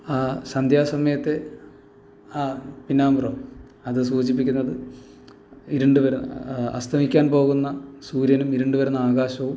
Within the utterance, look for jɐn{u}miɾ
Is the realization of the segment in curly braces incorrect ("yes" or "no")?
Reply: no